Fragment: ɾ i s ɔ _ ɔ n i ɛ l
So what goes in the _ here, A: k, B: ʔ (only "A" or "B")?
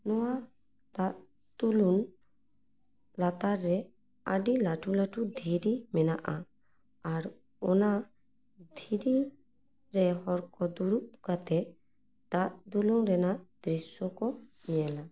A